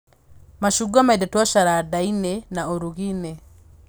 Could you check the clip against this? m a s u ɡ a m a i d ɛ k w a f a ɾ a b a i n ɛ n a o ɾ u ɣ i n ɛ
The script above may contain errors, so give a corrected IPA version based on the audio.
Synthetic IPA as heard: m a ʃ u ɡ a m a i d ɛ t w a ʃ a ɾ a d a i n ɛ n a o ɾ u ɣ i n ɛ